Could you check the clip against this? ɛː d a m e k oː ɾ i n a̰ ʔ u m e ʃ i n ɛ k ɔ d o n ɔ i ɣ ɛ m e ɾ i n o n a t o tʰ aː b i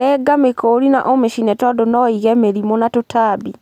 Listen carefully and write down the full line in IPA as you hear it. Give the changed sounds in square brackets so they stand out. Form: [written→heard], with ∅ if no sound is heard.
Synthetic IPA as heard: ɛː [d→ɡ] a m e k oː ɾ i n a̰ ʔ [u→o] m e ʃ i n ɛ [k→t] ɔ d o n ɔ i ɣ ɛ m e ɾ i [n→m] o n a t o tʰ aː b i